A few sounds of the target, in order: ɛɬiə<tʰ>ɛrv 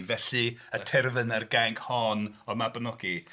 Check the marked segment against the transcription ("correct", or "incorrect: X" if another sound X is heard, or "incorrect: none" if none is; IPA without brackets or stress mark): correct